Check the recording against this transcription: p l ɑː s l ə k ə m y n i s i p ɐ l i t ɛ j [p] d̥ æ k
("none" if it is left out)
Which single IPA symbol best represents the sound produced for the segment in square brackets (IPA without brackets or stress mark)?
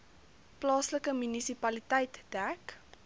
t